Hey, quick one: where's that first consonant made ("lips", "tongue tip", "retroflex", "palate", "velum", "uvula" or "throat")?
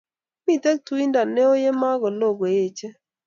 lips